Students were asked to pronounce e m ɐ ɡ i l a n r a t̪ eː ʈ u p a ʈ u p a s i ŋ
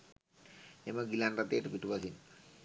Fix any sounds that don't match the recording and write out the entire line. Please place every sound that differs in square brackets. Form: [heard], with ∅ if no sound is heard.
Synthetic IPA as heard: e m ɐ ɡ i l a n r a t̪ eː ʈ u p [i] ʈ u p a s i [n]